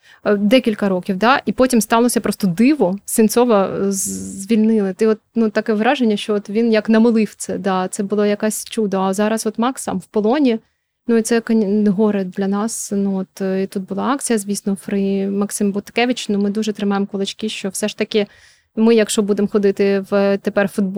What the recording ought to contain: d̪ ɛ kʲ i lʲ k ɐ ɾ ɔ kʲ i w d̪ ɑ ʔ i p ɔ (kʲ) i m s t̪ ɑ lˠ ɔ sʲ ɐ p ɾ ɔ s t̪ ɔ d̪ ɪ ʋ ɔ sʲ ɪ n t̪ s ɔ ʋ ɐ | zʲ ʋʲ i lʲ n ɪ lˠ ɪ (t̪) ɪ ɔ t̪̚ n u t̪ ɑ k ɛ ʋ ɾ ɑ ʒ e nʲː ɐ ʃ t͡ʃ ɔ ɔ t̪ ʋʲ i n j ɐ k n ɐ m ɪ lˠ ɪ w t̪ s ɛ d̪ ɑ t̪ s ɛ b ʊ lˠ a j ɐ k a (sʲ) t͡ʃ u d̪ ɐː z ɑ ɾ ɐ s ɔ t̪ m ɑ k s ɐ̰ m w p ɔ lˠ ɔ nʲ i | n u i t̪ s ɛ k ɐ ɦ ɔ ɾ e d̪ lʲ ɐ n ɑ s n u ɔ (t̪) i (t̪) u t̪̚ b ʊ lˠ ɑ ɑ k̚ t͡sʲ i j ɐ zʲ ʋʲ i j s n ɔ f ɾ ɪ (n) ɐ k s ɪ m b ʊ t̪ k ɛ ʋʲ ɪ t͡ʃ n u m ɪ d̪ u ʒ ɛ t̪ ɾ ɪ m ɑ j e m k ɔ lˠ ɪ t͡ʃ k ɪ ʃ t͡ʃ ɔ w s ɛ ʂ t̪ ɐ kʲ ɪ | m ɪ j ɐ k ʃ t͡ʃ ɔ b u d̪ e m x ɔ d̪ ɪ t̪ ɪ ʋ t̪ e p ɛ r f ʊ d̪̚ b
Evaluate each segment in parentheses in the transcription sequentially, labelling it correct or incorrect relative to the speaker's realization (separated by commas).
incorrect, correct, correct, correct, correct, incorrect